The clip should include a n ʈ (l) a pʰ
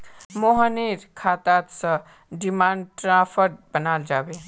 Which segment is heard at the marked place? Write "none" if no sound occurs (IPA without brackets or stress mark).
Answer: ɾ